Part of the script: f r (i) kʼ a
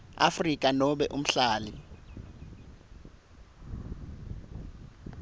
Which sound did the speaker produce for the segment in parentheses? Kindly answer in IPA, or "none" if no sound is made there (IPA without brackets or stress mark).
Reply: i